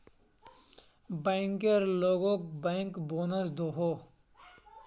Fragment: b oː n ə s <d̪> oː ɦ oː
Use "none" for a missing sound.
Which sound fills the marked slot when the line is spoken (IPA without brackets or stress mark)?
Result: d̪